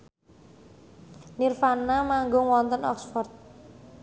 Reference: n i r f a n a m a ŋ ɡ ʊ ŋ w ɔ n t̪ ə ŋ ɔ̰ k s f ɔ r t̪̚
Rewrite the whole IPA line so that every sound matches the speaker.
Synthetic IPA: n i r f a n a m a ŋ ɡ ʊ ŋ w ɔ n t̪ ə n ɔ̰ k s f ɔ r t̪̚